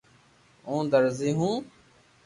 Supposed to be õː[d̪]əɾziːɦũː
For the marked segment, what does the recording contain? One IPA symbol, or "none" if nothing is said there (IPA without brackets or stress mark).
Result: d̪